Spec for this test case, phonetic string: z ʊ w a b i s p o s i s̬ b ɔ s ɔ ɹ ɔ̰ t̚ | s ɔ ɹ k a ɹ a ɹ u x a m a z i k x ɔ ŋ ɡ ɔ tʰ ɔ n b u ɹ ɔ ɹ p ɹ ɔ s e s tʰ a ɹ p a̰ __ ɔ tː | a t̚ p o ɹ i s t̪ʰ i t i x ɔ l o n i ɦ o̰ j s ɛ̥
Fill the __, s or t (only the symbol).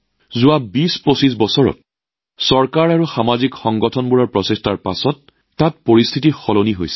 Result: s